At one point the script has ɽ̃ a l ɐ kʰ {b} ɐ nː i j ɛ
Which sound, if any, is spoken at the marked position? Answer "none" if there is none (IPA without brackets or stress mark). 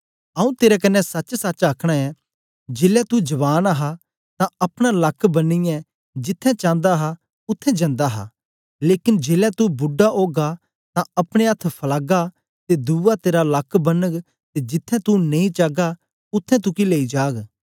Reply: b